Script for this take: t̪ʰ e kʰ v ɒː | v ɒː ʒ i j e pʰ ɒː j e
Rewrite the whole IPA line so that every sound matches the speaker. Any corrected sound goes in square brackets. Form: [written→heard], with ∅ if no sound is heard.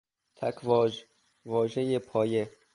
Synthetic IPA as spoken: t̪ʰ [e→æ] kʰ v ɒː | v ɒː ʒ [i→e] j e pʰ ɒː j e